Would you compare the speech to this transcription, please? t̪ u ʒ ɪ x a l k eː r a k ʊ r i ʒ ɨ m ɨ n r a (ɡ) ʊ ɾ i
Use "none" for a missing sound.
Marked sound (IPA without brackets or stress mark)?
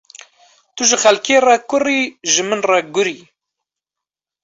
ɡ